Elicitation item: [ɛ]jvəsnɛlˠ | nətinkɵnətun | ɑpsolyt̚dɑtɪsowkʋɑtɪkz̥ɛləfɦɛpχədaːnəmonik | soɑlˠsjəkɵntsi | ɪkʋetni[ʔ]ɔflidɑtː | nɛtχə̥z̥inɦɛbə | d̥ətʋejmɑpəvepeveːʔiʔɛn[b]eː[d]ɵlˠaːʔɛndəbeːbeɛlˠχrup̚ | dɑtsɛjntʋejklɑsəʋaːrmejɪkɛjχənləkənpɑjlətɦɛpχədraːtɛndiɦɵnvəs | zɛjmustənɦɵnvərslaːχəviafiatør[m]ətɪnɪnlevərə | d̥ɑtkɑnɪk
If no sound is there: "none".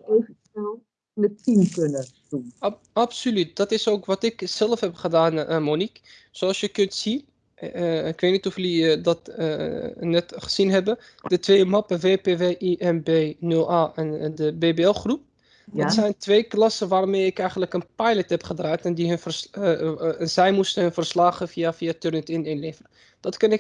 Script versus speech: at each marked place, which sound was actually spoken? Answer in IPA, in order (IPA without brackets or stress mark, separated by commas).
e, t, b, n, n